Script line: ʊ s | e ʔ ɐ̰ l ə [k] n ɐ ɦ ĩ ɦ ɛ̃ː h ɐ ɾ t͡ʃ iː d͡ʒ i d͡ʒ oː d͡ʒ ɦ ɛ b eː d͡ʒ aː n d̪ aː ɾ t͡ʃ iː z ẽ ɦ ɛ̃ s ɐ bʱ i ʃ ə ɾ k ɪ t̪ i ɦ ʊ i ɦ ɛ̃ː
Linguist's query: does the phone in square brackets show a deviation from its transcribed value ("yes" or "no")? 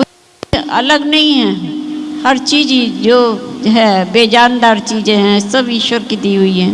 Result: yes